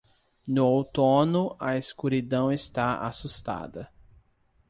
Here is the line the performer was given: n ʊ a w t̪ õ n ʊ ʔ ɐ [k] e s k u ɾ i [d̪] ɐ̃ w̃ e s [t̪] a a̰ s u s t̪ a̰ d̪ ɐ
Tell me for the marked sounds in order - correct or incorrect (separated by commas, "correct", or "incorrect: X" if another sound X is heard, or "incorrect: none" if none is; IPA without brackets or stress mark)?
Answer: incorrect: none, correct, correct